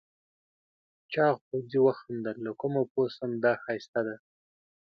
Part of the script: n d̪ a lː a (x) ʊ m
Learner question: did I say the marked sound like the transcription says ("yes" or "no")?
no